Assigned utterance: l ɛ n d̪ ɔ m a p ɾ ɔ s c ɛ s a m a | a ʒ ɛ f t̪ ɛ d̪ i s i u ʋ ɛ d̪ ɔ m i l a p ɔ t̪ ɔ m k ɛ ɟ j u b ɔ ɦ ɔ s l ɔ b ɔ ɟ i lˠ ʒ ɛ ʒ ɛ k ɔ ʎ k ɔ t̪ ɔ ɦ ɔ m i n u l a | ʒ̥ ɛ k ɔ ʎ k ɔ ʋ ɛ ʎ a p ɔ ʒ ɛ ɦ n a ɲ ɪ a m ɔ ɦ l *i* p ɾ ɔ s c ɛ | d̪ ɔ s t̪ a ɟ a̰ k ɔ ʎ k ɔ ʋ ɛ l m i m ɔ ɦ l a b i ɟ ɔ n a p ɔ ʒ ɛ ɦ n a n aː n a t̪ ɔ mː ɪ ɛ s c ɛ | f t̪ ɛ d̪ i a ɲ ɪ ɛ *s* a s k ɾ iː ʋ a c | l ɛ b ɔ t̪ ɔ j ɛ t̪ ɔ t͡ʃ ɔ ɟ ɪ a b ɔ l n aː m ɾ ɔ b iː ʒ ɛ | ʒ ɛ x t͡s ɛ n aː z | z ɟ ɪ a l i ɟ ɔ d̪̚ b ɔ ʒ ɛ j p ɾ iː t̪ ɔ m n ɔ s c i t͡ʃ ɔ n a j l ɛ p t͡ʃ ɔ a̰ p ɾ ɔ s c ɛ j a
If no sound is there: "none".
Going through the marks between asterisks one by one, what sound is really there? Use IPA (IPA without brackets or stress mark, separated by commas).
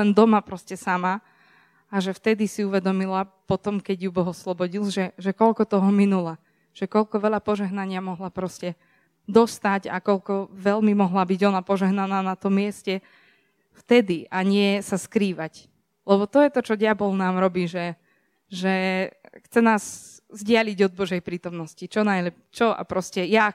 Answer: a, s